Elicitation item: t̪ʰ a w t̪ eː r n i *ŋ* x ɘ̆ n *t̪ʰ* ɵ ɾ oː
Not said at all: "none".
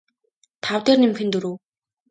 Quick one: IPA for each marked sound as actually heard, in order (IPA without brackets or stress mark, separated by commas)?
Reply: m, t̪